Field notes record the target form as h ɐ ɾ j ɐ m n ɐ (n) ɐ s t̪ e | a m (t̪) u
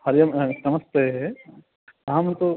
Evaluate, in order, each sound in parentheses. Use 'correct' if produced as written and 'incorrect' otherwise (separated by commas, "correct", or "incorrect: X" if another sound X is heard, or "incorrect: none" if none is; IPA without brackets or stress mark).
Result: incorrect: m, correct